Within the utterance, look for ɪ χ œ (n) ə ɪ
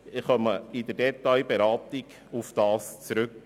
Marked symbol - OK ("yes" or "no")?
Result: no